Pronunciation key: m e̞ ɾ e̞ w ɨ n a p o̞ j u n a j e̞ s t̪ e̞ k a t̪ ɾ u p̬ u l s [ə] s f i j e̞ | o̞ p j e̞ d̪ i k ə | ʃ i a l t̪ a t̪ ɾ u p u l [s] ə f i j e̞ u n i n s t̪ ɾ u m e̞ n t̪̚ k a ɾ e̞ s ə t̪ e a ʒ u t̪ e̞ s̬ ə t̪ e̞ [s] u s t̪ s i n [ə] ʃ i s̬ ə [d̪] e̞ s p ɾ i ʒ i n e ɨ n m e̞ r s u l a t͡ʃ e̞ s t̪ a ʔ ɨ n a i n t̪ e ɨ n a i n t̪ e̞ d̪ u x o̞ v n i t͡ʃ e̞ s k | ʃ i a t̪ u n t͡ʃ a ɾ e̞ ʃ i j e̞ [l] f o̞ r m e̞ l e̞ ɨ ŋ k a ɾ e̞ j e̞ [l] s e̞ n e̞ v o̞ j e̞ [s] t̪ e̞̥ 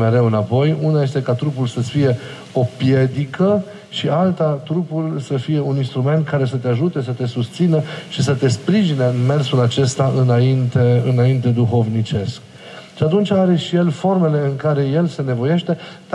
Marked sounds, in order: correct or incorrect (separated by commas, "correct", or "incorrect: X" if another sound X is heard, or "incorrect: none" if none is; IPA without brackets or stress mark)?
correct, correct, correct, correct, incorrect: t̪, correct, correct, incorrect: ʃ